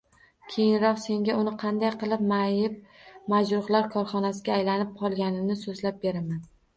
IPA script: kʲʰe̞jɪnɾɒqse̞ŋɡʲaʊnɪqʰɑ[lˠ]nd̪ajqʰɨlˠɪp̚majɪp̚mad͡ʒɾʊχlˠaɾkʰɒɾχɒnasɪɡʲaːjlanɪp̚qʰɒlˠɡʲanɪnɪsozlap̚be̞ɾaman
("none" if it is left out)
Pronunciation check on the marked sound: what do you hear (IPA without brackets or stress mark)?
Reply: none